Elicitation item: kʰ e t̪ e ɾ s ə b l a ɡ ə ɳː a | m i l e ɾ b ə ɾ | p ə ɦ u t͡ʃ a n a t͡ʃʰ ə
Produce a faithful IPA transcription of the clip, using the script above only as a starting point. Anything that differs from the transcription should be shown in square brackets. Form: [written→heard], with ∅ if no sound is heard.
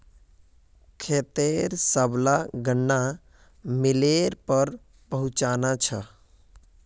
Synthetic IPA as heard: kʰ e t̪ e ɾ s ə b l a ɡ ə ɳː a | m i l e ɾ [b→p] ə ɾ | p ə ɦ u t͡ʃ a n a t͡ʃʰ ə